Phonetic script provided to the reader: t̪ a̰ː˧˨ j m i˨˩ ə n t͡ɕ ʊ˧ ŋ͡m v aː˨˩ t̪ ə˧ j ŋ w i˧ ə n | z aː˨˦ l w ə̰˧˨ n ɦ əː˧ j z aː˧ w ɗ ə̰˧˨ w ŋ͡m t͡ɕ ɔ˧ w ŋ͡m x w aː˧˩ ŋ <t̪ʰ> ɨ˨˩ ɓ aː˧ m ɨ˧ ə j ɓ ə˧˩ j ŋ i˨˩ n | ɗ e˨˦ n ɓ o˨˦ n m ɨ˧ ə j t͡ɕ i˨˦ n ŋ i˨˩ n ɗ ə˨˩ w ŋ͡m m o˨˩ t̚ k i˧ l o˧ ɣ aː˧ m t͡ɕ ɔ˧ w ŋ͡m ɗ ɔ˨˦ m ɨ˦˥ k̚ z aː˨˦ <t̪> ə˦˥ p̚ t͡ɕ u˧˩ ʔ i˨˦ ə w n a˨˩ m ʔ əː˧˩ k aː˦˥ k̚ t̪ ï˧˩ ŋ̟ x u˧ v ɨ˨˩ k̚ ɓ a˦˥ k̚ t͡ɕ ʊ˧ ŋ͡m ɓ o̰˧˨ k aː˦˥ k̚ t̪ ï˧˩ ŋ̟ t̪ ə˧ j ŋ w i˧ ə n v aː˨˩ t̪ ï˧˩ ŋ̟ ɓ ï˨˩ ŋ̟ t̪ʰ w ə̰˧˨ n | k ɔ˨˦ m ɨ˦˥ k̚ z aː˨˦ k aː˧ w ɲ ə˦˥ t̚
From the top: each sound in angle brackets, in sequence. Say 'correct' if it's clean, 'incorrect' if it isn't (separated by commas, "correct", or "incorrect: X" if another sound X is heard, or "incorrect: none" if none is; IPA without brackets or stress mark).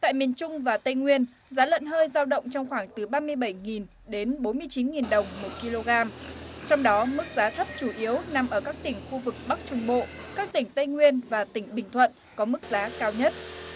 incorrect: t̪, incorrect: t̪ʰ